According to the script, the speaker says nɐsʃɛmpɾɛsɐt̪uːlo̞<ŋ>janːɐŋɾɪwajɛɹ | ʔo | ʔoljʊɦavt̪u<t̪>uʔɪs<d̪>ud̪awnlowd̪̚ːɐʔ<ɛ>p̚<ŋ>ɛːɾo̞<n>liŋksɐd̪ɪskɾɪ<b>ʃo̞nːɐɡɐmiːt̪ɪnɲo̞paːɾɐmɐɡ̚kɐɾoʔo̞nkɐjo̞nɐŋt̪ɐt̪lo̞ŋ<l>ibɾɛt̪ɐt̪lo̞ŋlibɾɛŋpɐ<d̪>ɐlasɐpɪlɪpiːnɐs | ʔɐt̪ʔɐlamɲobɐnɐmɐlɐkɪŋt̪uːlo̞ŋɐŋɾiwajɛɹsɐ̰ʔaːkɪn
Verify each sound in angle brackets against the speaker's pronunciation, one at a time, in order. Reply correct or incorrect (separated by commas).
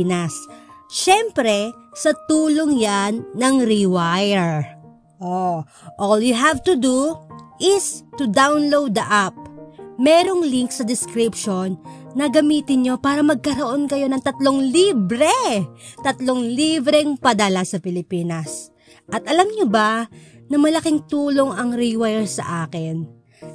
correct, incorrect, incorrect, incorrect, incorrect, incorrect, incorrect, correct, correct